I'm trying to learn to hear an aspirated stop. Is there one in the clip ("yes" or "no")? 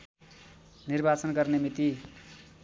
no